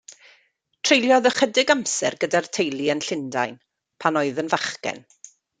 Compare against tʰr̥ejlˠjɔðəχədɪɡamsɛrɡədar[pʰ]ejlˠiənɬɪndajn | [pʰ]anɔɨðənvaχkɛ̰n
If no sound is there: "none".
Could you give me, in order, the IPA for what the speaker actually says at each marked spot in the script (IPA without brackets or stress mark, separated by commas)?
tʰ, pʰ